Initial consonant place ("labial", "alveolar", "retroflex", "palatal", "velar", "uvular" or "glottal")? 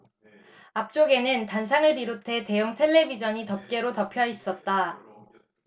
labial